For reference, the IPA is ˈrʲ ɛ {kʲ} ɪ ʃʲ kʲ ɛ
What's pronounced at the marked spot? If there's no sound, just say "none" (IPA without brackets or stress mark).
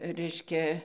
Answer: none